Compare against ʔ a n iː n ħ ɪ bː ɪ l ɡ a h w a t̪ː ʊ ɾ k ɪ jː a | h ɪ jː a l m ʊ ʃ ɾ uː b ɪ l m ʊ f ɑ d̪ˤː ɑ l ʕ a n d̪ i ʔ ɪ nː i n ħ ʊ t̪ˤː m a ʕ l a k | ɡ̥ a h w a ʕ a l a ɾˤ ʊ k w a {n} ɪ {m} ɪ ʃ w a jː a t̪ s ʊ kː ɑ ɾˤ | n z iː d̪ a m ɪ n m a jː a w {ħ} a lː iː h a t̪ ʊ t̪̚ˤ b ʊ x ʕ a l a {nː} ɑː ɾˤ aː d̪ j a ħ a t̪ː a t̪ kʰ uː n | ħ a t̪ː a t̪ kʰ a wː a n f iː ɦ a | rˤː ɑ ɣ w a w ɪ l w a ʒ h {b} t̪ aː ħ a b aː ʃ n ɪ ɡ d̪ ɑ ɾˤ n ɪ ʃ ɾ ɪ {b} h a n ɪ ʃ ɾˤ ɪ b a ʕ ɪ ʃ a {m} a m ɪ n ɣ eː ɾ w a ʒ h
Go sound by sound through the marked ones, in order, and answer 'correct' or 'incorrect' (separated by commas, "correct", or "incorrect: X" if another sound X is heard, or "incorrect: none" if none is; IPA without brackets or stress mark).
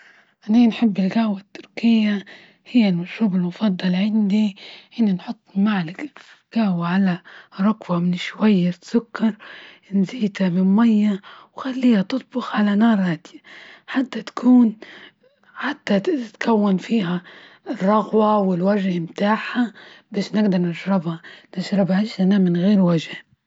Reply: incorrect: m, incorrect: n, incorrect: x, incorrect: n, incorrect: m, correct, incorrect: n